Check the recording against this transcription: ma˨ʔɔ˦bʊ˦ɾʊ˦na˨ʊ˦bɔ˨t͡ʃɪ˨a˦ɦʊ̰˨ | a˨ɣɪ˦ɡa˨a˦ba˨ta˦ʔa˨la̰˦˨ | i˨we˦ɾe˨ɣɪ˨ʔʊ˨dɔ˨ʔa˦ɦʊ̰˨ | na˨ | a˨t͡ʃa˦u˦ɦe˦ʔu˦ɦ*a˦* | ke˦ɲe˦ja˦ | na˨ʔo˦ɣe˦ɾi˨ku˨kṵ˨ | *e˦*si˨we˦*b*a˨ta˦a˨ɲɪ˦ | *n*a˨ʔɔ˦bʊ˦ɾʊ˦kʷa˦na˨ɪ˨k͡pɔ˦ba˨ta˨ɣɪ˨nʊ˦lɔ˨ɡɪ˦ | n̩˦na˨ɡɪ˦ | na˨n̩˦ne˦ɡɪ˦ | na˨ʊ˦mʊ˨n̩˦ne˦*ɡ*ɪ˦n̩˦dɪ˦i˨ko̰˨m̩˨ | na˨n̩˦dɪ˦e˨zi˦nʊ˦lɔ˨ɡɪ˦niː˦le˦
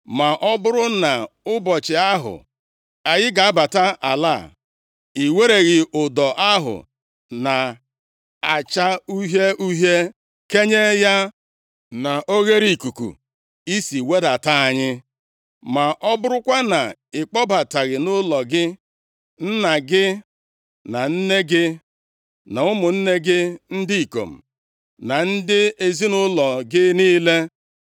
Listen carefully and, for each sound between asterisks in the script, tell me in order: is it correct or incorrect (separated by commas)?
incorrect, incorrect, incorrect, incorrect, correct